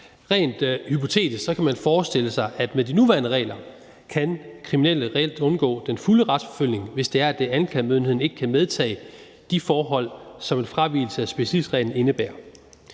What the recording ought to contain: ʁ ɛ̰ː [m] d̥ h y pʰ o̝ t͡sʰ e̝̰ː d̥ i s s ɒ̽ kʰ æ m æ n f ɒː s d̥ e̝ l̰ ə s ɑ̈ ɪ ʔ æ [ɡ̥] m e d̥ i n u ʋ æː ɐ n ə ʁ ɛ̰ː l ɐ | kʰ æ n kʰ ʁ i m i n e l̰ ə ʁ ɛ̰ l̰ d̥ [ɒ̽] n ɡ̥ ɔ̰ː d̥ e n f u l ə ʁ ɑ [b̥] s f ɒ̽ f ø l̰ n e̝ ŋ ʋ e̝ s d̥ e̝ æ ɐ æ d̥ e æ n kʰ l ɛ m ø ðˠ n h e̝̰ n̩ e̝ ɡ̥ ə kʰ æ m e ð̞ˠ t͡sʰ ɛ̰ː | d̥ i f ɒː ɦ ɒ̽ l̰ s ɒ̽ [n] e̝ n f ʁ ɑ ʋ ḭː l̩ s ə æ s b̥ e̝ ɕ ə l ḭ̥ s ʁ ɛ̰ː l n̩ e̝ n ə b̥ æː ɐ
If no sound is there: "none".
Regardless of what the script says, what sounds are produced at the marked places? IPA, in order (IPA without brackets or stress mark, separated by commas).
n, d̥, ɔ̽, d̥, m